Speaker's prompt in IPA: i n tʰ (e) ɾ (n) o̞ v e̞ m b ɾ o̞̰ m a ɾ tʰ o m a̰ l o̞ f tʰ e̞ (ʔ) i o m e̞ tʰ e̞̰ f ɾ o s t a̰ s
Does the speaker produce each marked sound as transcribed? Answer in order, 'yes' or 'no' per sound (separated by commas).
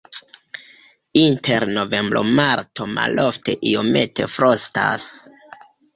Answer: yes, yes, yes